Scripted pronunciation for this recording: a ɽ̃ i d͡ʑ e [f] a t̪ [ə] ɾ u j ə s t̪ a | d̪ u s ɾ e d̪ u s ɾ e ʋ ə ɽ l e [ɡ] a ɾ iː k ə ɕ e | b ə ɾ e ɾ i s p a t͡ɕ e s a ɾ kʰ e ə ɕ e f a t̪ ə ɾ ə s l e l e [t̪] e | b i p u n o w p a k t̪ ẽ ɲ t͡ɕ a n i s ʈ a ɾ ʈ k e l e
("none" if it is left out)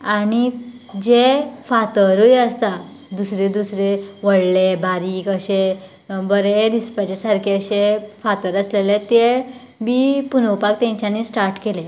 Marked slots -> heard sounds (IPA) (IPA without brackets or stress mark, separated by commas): f, ə, b, t̪